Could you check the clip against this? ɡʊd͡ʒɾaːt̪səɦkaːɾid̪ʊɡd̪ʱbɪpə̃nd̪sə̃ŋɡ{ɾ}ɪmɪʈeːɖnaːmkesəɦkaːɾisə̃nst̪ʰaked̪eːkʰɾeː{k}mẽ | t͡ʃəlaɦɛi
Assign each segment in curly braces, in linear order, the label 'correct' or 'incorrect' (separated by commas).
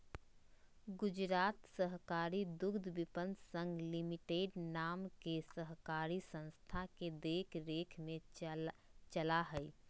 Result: incorrect, incorrect